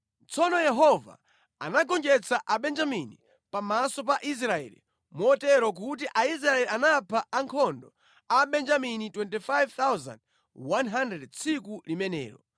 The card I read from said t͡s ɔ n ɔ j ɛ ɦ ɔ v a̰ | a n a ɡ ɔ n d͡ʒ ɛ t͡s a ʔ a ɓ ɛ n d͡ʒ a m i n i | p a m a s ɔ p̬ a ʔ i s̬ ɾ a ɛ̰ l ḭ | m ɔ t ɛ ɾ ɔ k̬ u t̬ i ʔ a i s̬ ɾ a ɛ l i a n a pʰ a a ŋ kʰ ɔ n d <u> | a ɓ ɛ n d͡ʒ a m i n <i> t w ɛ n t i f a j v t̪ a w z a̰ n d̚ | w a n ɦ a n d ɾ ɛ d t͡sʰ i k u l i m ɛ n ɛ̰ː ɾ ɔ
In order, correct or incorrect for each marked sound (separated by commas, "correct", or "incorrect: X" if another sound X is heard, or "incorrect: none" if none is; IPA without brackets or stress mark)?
incorrect: ɔ, correct